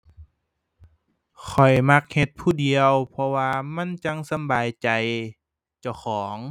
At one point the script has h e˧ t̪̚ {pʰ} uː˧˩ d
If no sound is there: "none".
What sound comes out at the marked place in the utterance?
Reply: pʰ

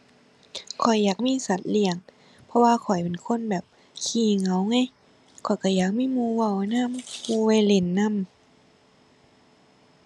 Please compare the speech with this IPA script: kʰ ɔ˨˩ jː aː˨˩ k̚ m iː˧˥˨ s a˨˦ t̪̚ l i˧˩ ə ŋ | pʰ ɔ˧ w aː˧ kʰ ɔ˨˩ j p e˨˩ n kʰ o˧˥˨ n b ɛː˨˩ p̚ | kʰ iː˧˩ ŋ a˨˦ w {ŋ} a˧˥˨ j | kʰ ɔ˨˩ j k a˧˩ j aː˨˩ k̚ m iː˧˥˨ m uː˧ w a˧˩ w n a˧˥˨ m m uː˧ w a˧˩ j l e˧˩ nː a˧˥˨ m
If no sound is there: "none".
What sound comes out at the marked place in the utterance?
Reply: ŋ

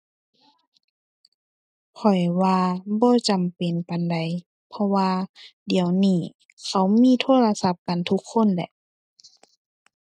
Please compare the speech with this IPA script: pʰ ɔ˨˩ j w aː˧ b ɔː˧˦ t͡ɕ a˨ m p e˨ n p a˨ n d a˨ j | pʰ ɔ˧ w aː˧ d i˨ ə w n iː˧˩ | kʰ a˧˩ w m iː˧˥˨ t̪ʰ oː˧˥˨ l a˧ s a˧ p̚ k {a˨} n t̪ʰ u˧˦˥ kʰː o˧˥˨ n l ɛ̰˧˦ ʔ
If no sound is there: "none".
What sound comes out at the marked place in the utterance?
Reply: a˨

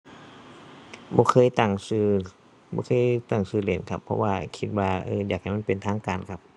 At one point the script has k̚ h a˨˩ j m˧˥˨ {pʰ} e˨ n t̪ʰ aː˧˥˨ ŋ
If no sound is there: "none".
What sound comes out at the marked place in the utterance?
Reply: p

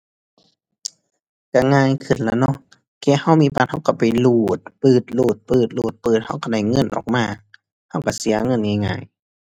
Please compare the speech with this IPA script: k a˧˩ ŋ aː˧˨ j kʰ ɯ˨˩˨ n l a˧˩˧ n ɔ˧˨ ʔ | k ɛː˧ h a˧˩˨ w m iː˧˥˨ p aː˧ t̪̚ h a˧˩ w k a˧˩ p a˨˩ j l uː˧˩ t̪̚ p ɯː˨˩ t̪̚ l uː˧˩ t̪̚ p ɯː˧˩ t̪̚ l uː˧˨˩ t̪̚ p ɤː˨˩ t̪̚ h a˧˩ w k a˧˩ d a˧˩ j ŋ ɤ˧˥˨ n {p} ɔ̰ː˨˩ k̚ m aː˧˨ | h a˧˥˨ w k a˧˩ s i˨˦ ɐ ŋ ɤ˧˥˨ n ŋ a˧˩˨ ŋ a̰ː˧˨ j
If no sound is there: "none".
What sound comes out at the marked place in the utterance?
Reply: ʔ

